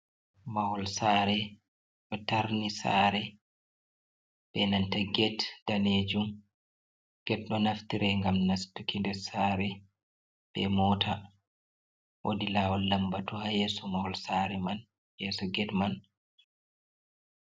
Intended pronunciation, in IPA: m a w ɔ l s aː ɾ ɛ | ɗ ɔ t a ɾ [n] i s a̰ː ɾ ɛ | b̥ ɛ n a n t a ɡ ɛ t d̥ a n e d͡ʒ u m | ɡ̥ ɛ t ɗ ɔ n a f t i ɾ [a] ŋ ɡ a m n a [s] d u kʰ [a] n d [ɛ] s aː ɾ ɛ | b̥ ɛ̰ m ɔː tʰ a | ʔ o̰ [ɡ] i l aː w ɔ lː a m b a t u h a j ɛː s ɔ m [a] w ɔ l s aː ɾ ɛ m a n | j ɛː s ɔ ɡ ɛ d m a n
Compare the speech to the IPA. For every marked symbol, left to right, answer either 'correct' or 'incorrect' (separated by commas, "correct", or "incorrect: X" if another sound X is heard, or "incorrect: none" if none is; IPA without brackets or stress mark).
correct, incorrect: ɛ, correct, incorrect: i, correct, incorrect: d, correct